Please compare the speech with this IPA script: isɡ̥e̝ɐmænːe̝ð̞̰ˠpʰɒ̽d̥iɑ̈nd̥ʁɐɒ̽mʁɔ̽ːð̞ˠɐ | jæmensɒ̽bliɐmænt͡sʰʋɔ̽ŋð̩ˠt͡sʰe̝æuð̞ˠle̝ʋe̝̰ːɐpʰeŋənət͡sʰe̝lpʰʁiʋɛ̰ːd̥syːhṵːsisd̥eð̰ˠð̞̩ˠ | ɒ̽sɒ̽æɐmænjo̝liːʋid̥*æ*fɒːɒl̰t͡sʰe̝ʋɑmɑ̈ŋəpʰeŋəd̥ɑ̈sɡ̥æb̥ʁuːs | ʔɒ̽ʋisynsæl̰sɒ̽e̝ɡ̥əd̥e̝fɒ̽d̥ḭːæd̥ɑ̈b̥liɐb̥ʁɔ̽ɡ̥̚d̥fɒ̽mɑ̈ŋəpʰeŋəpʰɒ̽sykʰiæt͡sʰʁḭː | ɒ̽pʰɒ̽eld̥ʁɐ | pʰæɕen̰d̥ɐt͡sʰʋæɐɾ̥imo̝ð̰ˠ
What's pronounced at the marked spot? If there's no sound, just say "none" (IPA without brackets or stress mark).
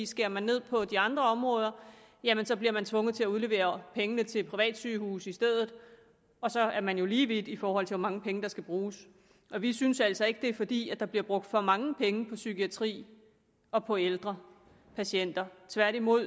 i